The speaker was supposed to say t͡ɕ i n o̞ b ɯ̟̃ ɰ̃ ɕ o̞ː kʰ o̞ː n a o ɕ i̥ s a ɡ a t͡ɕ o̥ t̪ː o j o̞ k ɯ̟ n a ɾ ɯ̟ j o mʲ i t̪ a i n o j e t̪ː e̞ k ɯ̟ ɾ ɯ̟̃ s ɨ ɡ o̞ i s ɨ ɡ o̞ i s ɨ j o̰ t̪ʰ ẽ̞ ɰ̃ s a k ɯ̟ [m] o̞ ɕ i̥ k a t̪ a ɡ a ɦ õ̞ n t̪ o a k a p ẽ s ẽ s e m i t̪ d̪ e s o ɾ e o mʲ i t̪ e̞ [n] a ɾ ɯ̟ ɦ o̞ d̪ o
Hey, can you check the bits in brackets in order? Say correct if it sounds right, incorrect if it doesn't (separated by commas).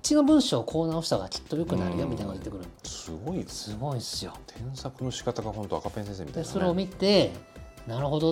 incorrect, correct